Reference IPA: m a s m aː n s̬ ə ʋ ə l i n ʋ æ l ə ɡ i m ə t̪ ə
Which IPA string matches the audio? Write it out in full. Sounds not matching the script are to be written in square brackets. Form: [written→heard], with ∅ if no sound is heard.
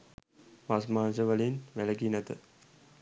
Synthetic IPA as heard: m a s m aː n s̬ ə ʋ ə l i n ʋ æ l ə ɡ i [m→n] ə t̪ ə